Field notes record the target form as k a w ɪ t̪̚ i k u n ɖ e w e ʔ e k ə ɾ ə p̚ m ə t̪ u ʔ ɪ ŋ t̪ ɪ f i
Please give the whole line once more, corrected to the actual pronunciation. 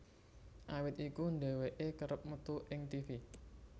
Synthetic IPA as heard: ʔ a w ɪ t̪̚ i k u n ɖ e w e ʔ e k ə ɾ ə p̚ m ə t̪ u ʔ ɪ ŋ t̪ i f i